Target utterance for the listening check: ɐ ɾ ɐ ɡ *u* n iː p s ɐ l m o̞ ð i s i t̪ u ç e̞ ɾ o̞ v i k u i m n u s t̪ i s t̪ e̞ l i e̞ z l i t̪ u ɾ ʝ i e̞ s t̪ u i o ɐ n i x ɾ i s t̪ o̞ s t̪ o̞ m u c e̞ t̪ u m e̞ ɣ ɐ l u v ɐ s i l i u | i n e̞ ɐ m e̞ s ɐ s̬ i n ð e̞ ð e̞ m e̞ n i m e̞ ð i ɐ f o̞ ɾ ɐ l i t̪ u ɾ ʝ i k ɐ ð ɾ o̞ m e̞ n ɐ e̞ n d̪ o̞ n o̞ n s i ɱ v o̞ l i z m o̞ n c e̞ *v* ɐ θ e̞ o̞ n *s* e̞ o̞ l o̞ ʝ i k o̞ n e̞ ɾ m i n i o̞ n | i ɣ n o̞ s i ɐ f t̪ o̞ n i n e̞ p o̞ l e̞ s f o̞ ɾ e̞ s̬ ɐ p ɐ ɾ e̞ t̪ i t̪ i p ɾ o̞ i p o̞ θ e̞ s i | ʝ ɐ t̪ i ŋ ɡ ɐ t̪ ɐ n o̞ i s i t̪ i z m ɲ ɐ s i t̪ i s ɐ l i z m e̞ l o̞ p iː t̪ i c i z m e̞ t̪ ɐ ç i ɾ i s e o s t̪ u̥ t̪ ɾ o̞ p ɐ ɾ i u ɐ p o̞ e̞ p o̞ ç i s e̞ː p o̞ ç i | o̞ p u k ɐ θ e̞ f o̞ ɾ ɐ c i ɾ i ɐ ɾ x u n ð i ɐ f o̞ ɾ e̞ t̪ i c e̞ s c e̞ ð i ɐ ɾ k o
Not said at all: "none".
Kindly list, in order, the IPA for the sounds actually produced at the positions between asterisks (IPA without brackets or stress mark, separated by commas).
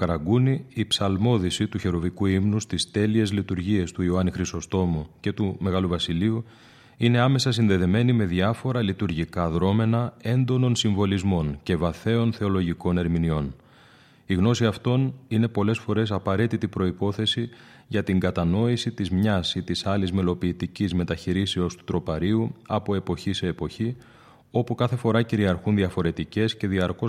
u, v, θ